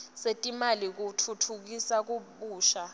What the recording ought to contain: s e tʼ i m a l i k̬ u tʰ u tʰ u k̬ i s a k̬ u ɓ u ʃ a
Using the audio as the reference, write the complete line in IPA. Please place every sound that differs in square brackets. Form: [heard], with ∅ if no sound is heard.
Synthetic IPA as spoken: s e tʼ i m a l i k̬ u tʰ u tʰ u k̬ i s a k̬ u ɓ [uː] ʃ a

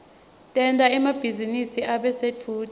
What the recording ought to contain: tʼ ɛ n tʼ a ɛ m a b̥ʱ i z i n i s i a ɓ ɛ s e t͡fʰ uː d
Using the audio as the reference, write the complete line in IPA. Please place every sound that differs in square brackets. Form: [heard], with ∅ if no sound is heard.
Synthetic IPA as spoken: tʼ ɛ n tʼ a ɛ m a b̥ʱ i z i n i s i a ɓ ɛ s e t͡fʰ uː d

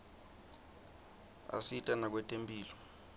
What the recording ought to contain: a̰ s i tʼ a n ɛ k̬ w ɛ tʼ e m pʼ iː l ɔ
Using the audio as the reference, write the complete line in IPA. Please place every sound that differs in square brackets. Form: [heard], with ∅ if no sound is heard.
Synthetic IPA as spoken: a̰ s i tʼ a n [a] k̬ w ɛ tʼ e m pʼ iː l ɔ

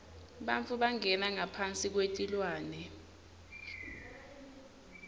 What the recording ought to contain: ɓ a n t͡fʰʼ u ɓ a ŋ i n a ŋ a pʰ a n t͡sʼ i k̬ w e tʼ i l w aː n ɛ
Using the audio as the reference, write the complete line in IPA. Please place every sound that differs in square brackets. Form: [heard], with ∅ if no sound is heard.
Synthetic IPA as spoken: ɓ a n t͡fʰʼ u ɓ a ŋ [ɛ] n a ŋ a pʰ a n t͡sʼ i k̬ w e tʼ i l w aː n ɛ

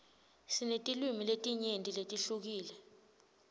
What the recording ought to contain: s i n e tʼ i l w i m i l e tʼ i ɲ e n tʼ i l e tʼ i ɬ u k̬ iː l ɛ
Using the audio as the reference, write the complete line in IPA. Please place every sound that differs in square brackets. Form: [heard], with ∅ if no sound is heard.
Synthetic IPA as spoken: s i n e tʼ i l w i m i l e tʼ i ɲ e n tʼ i l e tʼ i ɬ u k̬ iː l ɛ

